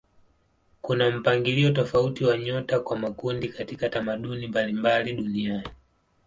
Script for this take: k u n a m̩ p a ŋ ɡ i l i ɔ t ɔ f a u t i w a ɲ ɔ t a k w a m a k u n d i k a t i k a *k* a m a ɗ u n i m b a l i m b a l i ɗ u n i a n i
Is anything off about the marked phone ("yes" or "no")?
yes